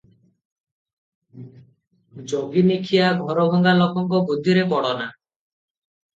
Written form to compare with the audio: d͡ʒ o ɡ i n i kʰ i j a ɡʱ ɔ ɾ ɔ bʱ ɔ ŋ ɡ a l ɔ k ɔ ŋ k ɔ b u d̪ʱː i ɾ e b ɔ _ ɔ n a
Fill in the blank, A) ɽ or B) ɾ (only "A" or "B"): A